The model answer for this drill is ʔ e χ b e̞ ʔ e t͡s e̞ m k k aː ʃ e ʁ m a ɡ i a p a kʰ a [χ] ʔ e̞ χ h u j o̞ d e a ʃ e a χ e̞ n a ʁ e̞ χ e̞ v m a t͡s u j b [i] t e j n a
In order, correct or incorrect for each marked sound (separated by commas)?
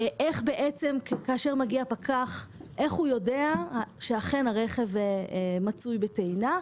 correct, incorrect